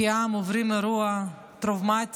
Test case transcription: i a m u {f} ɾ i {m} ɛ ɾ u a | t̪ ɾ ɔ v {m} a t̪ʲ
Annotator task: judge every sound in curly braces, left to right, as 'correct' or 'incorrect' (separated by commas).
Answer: incorrect, correct, correct